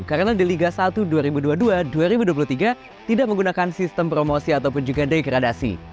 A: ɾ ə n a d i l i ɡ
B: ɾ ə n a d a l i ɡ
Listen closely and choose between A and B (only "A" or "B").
A